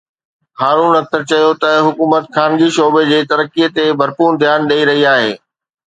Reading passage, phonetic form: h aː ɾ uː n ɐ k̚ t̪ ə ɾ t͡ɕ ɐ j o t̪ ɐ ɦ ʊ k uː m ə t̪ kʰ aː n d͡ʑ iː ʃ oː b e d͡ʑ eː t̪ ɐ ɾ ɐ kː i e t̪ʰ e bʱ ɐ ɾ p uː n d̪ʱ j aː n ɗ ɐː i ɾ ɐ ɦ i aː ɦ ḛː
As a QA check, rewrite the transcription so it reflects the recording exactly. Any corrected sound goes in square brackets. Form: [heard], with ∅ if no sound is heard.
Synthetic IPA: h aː ɾ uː n ɐ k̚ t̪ ə ɾ t͡ɕ ɐ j o t̪ ɐ ɦ ʊ k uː m ə t̪ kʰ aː n d͡ʑ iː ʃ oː b e d͡ʑ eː t̪ ɐ ɾ [ə] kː i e [t̪] e bʱ ɐ ɾ p uː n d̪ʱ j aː n ɗ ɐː i ɾ ɐ ɦ i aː ɦ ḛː